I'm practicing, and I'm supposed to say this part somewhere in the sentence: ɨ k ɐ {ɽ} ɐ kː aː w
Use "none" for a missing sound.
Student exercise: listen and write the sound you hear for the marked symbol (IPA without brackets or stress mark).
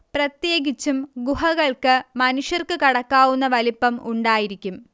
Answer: ɽ